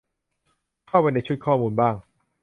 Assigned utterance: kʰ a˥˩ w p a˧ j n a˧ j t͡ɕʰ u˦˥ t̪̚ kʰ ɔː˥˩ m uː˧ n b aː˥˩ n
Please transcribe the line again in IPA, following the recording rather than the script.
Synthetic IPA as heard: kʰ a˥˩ w p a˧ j n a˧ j t͡ɕʰ u˦˥ t̪̚ kʰ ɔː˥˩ m uː˧ n b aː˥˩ ŋ